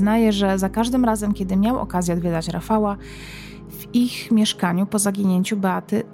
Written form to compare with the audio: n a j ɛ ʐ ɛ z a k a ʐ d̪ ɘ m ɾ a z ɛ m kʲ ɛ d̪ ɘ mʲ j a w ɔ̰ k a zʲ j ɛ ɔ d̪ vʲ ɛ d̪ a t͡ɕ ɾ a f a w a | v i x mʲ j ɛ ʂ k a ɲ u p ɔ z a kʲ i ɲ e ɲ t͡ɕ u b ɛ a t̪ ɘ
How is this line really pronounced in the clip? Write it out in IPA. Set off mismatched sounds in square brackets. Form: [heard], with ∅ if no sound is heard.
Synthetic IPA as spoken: n a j ɛ ʐ ɛ z a k a ʐ d̪ ɘ m ɾ a z ɛ m kʲ ɛ d̪ ɘ mʲ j a w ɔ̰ k a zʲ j ɛ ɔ d̪ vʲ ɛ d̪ a t͡ɕ ɾ a f a w a | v i x mʲ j ɛ ʂ k a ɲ u p ɔ z a [ɡʲ] i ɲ e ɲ t͡ɕ u b ɛ a t̪ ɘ